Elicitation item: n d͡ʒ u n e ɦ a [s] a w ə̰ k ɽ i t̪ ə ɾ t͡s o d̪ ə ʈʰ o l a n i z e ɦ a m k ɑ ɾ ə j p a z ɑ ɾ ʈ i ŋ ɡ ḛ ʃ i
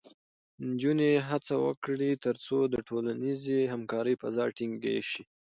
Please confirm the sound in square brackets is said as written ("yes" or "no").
no